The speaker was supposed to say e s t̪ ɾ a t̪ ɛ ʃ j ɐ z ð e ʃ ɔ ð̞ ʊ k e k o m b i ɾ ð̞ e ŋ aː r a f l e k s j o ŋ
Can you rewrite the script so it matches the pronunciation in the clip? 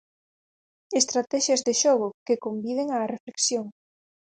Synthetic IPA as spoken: e s t̪ ɾ a t̪ ɛ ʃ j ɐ z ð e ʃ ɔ ɣ̞ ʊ k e k o m b i ð̞ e ŋ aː r e f l e k s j o ŋ